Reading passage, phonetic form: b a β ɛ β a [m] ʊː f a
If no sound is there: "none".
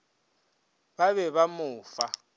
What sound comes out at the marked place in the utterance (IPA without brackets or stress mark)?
m